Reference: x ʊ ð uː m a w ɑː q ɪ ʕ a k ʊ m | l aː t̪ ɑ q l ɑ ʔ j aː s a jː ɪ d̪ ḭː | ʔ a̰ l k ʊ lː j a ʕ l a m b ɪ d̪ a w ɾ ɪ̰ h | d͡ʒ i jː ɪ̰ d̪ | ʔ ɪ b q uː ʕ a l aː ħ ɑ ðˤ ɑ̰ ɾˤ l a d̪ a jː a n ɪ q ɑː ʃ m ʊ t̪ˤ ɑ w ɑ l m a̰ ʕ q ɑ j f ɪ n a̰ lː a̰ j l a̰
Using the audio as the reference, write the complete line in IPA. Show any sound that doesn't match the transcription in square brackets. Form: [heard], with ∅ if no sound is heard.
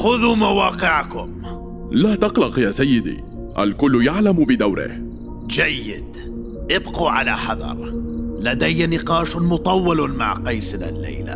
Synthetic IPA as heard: x ʊ ð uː m a w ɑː q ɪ ʕ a k ʊ m | l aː t̪ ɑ q l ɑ [q] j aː s a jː ɪ d̪ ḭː | ʔ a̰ l k ʊ lː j a ʕ l a m b ɪ d̪ a w ɾ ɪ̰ h | d͡ʒ [a] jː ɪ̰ d̪ | ʔ ɪ b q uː ʕ a l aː ħ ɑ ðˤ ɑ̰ ɾˤ l a d̪ a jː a n ɪ q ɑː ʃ m ʊ t̪ˤ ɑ [wː] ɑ l m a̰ ʕ q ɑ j [s] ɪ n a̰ lː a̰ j l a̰